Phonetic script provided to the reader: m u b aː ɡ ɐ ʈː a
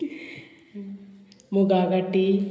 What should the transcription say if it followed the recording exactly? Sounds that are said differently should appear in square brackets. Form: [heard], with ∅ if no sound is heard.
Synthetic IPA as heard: m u [ɡ] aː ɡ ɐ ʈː [i]